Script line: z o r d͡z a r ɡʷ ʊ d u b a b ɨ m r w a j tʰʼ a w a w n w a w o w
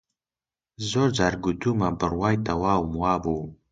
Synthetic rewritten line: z o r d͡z a r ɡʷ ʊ d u m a b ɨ r w a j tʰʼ a w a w m w a b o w